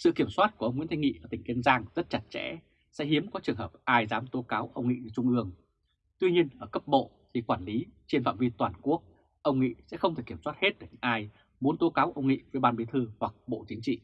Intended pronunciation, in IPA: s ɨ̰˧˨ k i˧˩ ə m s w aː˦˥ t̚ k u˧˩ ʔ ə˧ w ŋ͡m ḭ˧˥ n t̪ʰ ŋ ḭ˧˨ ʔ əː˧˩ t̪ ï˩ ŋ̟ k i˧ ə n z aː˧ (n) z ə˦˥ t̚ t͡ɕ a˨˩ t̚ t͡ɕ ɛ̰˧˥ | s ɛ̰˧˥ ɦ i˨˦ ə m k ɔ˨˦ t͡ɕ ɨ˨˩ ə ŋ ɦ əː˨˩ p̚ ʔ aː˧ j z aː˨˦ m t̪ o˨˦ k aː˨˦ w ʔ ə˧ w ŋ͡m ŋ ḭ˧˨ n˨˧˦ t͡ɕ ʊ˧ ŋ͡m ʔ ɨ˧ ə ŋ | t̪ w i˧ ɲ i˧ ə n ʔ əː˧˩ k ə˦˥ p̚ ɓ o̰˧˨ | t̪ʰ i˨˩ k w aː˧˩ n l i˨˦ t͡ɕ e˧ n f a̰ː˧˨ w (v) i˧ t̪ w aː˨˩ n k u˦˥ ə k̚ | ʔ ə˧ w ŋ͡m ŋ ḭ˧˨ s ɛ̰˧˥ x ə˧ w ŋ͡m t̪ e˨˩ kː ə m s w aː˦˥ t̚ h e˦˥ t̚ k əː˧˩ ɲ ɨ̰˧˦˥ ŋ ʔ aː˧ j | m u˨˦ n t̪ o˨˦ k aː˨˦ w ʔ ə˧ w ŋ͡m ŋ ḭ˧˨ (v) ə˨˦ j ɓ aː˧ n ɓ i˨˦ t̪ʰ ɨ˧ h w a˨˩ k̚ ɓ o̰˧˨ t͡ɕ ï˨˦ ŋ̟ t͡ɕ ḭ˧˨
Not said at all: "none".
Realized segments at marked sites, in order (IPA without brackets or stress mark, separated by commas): ŋ, v, v